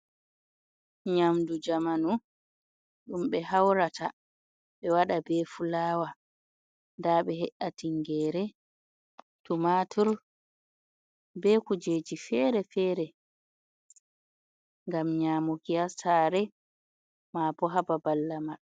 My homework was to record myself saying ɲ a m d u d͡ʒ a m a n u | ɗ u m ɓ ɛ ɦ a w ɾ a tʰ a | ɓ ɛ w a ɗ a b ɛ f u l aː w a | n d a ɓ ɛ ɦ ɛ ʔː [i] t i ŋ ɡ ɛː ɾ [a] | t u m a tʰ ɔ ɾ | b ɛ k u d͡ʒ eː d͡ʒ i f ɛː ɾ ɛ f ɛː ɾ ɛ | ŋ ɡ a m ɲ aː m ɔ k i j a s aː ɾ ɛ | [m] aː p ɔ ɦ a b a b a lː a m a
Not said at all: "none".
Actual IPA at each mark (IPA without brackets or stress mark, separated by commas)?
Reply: a, ɛ, m